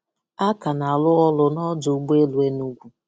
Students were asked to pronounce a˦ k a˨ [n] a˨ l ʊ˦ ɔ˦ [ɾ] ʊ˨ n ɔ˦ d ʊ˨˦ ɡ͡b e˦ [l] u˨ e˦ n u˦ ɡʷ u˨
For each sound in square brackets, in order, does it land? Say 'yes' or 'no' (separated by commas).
yes, no, yes